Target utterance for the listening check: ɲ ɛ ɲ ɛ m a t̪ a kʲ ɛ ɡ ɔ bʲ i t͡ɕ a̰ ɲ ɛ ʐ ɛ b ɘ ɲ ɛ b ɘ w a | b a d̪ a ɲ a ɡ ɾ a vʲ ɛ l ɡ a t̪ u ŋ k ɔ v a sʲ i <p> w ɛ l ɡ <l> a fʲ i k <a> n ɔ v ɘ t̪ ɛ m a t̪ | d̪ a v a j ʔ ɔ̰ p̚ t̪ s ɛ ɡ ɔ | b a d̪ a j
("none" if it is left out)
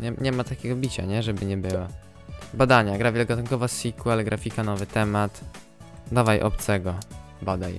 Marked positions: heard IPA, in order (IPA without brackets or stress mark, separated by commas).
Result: k, ɾ, a